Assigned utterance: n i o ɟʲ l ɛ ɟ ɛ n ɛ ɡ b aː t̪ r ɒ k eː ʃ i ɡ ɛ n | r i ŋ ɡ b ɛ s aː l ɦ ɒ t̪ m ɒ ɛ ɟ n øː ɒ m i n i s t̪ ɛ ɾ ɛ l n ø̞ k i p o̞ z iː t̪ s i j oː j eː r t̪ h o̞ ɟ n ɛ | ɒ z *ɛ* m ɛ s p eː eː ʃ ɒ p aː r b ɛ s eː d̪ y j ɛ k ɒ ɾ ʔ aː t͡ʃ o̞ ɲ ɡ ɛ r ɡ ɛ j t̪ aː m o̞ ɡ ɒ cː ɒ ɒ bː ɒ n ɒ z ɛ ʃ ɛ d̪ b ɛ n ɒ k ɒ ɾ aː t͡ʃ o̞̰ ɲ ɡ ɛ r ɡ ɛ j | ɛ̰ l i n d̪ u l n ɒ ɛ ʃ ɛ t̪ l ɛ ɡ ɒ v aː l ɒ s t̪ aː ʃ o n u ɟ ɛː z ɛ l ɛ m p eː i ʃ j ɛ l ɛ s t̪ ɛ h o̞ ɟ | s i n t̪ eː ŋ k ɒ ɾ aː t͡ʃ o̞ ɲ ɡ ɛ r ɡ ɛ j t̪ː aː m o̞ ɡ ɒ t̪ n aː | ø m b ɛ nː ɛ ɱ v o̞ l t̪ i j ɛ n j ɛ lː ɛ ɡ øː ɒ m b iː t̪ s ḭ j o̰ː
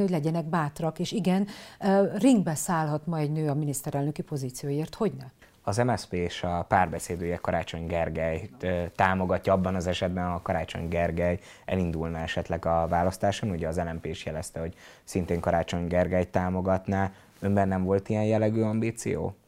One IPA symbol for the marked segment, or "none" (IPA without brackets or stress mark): ɛ